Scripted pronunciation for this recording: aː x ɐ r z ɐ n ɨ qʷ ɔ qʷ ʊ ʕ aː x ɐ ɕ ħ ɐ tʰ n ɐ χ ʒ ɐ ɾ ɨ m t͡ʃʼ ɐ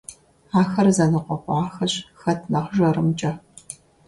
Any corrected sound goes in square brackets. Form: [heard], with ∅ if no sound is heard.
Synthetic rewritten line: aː x ɐ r z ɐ n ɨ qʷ ɔ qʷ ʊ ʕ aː x ɐ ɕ [x] ɐ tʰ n ɐ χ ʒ ɐ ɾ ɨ m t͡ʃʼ ɐ